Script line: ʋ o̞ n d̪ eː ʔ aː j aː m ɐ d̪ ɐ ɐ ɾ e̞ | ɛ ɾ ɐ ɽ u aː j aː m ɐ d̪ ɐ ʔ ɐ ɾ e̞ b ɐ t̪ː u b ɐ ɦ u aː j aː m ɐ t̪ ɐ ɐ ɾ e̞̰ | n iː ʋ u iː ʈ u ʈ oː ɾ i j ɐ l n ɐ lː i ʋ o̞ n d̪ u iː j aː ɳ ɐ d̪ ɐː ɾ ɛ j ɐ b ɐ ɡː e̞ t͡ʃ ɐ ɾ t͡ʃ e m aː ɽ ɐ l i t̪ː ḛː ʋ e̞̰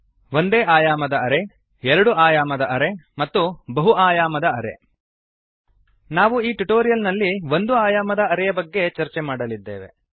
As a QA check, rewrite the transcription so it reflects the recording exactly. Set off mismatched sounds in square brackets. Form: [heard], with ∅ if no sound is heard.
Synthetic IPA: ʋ o̞ n d̪ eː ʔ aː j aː m ɐ d̪ ɐ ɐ ɾ e̞ | ɛ ɾ ɐ ɽ u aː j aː m ɐ d̪ ɐ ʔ ɐ ɾ e̞ [m] ɐ t̪ː u b ɐ ɦ u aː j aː m ɐ [d̪] ɐ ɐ ɾ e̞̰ | n [aː] ʋ u iː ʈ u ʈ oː ɾ i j ɐ l n ɐ lː i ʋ o̞ n d̪ u [aː] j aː [m] ɐ d̪ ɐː ɾ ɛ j ɐ b ɐ ɡː e̞ t͡ʃ ɐ ɾ t͡ʃ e m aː ɽ ɐ l i [d̪ː] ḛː ʋ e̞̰